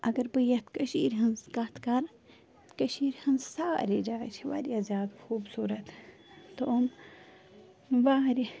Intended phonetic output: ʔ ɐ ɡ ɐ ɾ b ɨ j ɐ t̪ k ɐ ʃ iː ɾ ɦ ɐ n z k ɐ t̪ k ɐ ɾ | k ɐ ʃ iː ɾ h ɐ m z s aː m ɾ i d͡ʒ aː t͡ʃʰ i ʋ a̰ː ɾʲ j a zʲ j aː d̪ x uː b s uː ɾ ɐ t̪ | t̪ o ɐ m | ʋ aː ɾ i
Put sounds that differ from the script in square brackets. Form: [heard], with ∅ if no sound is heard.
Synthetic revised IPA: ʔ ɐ ɡ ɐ ɾ b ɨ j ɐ t̪ k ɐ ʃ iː ɾ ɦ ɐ n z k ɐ t̪ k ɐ ɾ | k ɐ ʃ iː ɾ h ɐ [n] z s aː [∅] ɾ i d͡ʒ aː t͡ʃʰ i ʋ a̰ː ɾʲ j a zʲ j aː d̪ x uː b s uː ɾ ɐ t̪ | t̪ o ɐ m | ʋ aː ɾ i